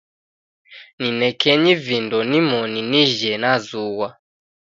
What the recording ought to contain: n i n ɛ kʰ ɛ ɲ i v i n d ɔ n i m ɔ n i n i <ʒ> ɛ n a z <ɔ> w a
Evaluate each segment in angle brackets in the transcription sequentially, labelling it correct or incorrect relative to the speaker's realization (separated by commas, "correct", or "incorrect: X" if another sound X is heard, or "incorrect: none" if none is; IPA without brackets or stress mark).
correct, incorrect: u